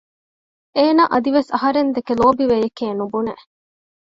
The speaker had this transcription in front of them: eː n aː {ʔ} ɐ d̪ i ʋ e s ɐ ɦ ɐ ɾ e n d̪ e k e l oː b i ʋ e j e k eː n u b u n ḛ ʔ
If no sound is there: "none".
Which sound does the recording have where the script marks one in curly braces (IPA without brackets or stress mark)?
ʔ